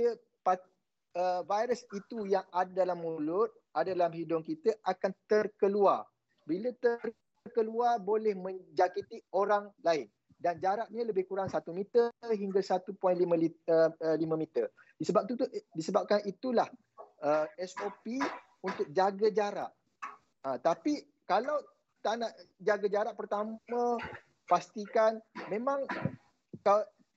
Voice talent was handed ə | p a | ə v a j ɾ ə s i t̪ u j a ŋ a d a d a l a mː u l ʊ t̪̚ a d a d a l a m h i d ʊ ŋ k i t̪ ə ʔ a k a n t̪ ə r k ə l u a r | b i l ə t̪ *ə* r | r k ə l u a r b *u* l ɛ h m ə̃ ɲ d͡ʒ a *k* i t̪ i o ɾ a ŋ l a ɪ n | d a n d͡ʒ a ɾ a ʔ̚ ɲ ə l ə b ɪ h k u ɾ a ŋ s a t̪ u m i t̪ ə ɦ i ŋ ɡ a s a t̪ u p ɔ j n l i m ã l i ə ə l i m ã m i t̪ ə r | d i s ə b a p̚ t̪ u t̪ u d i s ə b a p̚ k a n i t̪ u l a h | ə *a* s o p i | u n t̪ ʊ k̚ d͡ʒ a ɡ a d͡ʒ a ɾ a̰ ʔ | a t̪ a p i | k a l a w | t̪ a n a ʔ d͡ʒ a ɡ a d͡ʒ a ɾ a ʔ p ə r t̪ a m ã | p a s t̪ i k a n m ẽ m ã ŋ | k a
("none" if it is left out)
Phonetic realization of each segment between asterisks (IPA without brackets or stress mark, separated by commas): ə, o, k, ɛ